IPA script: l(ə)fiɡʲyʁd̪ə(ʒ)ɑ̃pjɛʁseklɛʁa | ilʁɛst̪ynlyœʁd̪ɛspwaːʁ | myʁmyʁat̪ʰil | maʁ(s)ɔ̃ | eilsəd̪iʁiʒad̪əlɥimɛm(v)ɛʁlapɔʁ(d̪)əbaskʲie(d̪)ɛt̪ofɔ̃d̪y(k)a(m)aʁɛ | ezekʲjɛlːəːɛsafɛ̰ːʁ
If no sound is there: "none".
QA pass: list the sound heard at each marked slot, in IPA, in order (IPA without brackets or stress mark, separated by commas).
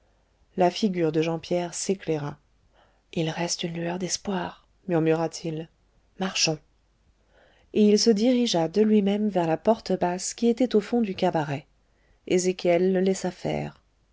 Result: a, ʒ, ʃ, v, t̪, t̪, k, b